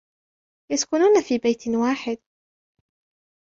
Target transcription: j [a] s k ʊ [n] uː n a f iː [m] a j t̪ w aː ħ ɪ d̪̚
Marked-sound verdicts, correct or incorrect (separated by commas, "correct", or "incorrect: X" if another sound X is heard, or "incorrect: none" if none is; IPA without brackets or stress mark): correct, correct, incorrect: b